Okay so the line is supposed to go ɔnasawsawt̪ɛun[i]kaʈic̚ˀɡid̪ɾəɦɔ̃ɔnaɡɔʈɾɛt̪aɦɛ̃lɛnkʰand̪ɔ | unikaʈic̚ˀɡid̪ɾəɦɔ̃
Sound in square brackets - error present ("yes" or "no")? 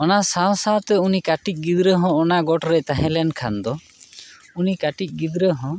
no